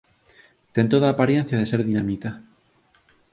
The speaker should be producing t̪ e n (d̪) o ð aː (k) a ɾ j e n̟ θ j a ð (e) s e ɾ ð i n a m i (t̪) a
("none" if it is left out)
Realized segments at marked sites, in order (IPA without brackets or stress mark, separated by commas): t̪, p, e, t̪